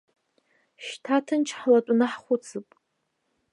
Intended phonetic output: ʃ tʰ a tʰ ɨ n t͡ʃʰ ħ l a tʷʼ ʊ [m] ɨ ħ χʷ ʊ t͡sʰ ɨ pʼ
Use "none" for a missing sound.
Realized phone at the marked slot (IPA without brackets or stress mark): n